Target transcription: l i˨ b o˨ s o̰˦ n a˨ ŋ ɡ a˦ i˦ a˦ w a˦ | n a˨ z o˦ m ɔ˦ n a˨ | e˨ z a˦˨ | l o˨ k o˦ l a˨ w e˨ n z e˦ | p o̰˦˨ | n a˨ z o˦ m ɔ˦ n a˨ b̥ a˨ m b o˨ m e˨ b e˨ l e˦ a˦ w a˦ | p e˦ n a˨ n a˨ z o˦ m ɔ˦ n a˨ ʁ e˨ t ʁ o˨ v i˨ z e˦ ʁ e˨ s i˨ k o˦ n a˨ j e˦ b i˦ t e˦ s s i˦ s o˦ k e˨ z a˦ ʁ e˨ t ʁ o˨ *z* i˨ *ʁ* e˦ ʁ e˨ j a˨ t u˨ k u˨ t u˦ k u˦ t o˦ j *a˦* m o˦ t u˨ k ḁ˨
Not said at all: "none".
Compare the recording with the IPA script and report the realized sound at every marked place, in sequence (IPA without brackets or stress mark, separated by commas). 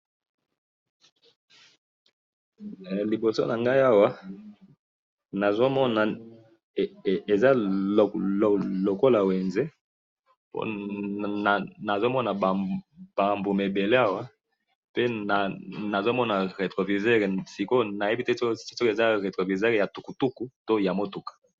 v, z, a˨